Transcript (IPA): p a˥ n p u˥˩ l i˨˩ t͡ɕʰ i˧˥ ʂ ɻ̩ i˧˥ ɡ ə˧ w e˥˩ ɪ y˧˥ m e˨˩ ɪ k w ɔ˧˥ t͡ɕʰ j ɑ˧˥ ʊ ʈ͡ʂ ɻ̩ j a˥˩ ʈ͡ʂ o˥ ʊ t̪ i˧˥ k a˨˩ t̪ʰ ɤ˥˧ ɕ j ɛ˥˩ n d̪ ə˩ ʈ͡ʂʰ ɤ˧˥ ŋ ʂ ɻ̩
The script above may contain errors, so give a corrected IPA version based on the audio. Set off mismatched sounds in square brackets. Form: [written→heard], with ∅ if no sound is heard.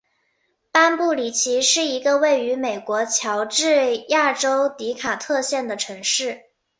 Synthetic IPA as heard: p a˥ n p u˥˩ l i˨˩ t͡ɕʰ i˧˥ ʂ ɻ̩ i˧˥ ɡ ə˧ w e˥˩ ɪ y˧˥ m e˨˩ ɪ k w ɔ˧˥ t͡ɕʰ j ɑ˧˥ ʊ ʈ͡ʂ ɻ̩ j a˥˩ ʈ͡ʂ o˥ ʊ t̪ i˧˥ [k→kʰ] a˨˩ t̪ʰ ɤ˥˧ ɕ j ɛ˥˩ n d̪ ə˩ ʈ͡ʂʰ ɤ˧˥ ŋ ʂ ɻ̩